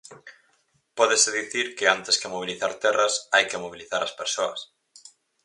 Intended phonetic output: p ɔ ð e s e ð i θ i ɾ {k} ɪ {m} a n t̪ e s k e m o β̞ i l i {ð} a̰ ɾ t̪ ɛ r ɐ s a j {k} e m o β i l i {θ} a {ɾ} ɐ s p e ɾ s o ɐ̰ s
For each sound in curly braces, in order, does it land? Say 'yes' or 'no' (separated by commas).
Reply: yes, no, no, yes, yes, yes